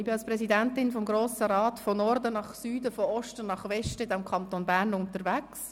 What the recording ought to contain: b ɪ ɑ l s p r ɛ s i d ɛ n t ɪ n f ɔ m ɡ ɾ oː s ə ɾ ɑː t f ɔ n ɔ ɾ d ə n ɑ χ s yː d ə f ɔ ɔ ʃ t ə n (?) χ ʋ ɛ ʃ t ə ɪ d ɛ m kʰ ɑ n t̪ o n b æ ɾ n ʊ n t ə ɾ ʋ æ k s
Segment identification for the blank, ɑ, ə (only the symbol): ɑ